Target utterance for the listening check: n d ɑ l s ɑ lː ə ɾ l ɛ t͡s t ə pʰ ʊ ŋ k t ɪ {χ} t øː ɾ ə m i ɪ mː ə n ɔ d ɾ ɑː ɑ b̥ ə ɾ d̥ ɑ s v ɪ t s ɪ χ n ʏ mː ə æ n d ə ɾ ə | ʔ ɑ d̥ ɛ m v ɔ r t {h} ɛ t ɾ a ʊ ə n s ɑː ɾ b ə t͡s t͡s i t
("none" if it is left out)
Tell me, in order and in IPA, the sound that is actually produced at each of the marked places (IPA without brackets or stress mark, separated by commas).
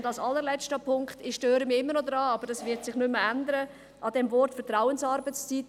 ʃ, f